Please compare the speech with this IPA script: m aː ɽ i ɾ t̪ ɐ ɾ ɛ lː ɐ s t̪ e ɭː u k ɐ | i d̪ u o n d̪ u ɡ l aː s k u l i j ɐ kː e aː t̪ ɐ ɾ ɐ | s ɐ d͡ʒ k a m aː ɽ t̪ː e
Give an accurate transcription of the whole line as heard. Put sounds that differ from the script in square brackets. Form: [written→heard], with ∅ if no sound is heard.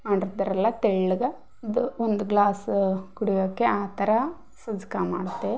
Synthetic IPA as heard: m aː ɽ i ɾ [t̪→d̪] ɐ ɾ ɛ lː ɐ [s→∅] t̪ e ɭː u [k→ɡ] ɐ | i d̪ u o n d̪ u ɡ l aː s k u [l→ɽ] i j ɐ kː e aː t̪ ɐ ɾ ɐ | s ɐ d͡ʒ k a m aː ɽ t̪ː e